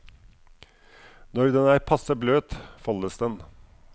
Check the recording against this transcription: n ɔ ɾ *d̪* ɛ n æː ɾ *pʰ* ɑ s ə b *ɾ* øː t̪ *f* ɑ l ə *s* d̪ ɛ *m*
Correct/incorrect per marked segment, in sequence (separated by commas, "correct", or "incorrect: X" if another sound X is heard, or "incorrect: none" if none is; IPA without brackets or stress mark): correct, correct, incorrect: l, correct, correct, incorrect: n